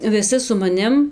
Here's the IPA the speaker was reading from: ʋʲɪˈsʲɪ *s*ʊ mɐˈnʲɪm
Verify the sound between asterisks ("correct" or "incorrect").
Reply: correct